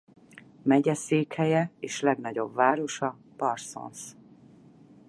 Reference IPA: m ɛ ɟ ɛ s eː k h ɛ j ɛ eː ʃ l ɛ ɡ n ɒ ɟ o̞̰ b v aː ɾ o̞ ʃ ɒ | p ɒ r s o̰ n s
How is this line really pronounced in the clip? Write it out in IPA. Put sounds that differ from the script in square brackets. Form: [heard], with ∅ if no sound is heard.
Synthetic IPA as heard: m ɛ ɟ ɛ s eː k h ɛ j ɛ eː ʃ l ɛ ɡ n ɒ ɟ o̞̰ b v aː ɾ o̞ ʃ ɒ | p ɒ r s o̰ n s

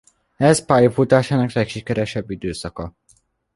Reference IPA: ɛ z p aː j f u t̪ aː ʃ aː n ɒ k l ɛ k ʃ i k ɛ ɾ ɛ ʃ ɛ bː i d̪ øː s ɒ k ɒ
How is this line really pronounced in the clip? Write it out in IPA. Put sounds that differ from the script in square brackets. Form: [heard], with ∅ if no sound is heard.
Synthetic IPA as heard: ɛ z p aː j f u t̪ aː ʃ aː n ɒ k l ɛ k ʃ i k ɛ ɾ ɛ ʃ ɛ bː i d̪ øː s ɒ k ɒ

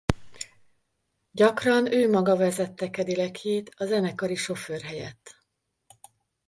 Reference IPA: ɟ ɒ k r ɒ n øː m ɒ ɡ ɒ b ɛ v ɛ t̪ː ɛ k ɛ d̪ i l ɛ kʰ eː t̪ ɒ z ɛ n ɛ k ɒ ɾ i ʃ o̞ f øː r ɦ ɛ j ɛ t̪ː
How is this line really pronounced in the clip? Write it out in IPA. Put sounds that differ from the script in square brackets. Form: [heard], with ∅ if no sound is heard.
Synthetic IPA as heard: ɟ ɒ k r ɒ n øː m ɒ ɡ ɒ [v] ɛ [z] ɛ t̪ː ɛ k ɛ d̪ i l ɛ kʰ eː t̪ ɒ z ɛ n ɛ k ɒ ɾ i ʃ o̞ f øː r ɦ ɛ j ɛ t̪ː

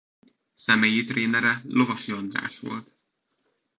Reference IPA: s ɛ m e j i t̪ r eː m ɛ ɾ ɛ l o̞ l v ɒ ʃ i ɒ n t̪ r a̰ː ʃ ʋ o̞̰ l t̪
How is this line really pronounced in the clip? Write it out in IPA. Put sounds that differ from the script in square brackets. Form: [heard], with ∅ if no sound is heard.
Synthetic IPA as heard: s ɛ m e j i t̪ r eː [n] ɛ ɾ ɛ l o̞ [∅] v ɒ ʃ i ɒ n [d̪] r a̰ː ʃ ʋ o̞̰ l t̪

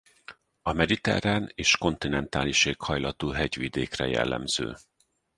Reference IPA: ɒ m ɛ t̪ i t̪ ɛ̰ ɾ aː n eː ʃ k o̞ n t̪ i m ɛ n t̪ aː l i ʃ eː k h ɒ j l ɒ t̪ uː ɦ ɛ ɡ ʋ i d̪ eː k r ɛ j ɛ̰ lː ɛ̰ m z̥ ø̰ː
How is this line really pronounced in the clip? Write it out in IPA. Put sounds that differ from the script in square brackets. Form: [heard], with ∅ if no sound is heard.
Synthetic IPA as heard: ɒ m ɛ [d̪] i t̪ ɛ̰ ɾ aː n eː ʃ k o̞ n t̪ i [n] ɛ n t̪ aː l i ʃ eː k h ɒ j l ɒ t̪ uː ɦ ɛ [ɟ] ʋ i d̪ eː k r ɛ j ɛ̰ lː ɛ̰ m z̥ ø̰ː

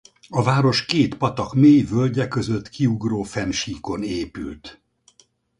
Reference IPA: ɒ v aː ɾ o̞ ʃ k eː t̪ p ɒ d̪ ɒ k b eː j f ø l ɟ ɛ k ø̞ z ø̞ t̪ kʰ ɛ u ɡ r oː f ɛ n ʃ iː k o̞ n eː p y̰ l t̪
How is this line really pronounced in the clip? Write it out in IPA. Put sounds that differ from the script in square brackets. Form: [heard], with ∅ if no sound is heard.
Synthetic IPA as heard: ɒ v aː ɾ o̞ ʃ k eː t̪ p ɒ [t̪] ɒ k [m] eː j [v] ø l ɟ ɛ k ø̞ z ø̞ t̪ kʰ [i] u ɡ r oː f ɛ n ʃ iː k o̞ n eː p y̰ l t̪

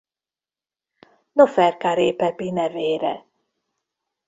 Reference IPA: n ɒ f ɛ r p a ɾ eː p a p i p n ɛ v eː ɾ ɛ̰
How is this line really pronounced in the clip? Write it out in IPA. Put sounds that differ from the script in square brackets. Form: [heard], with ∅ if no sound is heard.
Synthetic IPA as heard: n [o] f ɛ r [k] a ɾ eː p [ɛ] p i [∅] n ɛ v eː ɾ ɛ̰

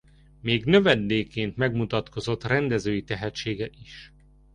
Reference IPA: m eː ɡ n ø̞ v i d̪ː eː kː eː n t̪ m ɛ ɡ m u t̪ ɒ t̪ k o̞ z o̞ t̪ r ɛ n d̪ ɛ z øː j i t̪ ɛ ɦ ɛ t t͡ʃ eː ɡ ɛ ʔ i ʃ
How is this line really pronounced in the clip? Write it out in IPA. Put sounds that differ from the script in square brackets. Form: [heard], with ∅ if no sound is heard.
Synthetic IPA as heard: m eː ɡ n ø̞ v [ɛ] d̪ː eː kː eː n t̪ m ɛ ɡ m u t̪ ɒ t̪ k o̞ z o̞ t̪ r ɛ n d̪ ɛ z øː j i t̪ ɛ ɦ ɛ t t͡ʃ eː ɡ ɛ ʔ i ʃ

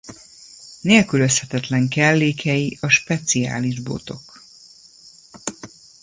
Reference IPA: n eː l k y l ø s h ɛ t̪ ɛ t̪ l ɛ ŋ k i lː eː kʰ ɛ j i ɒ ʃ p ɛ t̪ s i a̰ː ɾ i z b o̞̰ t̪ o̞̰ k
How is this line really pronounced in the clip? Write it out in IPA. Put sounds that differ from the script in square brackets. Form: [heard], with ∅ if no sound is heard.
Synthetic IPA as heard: n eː l k y l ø s h ɛ t̪ ɛ t̪ l ɛ ŋ k [ɛ] lː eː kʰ ɛ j i ɒ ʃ p ɛ t̪ s i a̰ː [l] i [ʒ] b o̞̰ t̪ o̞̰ k

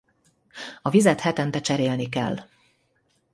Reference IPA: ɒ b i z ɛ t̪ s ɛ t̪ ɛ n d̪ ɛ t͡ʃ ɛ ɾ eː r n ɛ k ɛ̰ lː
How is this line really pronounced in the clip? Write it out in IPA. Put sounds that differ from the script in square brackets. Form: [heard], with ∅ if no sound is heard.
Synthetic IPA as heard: ɒ [v] i z ɛ t̪ [h] ɛ t̪ ɛ n [t̪] ɛ t͡ʃ ɛ ɾ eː [l] n [i] k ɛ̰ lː

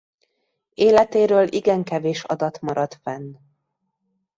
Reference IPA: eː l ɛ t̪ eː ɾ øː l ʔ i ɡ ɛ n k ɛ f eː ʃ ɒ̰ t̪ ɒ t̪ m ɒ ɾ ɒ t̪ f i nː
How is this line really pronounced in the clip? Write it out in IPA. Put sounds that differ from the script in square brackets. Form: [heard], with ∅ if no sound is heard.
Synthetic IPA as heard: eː l ɛ t̪ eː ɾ øː l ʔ i ɡ ɛ [ŋ] k ɛ [v] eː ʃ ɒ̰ [d̪] ɒ t̪ m ɒ ɾ ɒ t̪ f [ɛ] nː

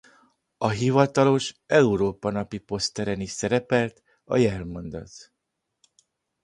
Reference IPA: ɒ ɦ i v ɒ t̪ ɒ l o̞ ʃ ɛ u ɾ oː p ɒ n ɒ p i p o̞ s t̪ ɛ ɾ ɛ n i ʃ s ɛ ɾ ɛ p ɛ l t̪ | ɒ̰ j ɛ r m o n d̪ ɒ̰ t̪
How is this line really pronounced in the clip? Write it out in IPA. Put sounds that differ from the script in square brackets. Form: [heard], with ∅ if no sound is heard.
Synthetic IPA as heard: ɒ ɦ i v ɒ t̪ ɒ l o̞ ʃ ɛ u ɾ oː p ɒ n ɒ p i p o̞ s t̪ ɛ ɾ ɛ n i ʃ s ɛ ɾ ɛ p ɛ l t̪ | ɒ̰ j ɛ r m o n d̪ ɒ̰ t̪

